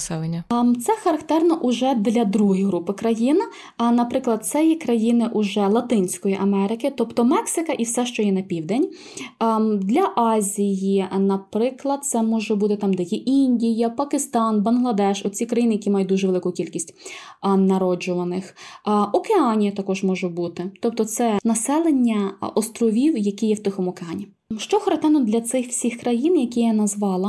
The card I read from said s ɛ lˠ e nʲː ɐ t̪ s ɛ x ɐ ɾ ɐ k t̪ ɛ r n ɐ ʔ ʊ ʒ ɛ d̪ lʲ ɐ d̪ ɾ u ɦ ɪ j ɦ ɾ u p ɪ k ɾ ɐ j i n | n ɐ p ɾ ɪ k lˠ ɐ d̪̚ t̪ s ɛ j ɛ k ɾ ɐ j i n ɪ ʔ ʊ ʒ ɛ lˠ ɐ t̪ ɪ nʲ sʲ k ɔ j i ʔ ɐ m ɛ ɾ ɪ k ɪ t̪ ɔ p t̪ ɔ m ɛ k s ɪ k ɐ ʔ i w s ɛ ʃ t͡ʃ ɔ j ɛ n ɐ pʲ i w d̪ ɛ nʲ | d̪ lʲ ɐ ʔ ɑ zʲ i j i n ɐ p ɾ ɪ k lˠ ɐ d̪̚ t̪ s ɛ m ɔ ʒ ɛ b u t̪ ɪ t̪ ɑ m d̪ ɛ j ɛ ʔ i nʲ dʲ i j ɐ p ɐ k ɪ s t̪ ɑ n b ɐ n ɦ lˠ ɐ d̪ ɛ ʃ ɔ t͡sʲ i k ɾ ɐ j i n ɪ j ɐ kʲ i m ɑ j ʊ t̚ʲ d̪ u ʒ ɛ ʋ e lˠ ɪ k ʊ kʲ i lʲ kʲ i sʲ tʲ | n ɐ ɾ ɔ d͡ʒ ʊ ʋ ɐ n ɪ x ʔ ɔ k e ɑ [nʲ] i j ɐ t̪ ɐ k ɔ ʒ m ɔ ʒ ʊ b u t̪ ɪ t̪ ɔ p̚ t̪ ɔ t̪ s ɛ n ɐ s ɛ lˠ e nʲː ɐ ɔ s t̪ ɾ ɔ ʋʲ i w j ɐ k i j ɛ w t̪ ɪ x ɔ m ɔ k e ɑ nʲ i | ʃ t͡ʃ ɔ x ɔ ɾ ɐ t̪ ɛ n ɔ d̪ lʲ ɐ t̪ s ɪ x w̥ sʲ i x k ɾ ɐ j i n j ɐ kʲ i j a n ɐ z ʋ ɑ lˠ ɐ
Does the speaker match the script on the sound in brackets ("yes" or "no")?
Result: yes